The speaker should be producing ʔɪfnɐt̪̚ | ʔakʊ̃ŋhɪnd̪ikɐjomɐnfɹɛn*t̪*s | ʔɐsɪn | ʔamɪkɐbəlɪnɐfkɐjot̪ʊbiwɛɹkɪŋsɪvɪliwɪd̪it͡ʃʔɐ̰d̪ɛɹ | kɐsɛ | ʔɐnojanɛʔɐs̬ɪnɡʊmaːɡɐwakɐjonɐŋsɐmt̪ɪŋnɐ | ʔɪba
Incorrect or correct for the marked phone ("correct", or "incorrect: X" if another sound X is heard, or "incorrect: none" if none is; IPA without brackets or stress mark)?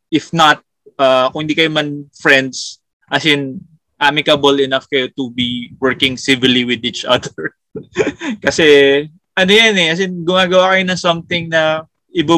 incorrect: d̪